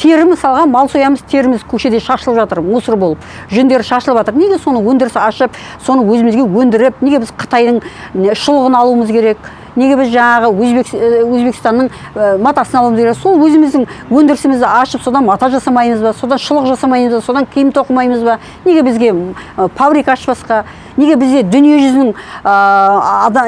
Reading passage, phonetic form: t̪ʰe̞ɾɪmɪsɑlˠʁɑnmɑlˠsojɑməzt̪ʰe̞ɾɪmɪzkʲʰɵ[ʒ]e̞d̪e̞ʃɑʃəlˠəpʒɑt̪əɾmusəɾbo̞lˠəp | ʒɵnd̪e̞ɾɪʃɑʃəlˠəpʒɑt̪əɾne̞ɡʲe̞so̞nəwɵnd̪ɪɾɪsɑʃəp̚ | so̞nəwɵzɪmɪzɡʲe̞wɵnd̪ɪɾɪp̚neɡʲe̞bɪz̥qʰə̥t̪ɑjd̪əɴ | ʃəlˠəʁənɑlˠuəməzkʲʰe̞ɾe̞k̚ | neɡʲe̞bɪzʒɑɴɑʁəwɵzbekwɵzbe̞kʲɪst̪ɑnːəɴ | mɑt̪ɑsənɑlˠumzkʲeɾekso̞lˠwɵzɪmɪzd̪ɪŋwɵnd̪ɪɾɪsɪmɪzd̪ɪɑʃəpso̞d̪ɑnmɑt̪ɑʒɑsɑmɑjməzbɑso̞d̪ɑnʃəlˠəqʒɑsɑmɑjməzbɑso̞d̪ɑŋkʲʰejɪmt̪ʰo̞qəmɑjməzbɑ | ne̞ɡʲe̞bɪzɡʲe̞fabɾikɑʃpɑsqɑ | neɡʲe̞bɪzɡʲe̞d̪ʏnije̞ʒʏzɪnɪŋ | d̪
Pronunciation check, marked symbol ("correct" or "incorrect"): incorrect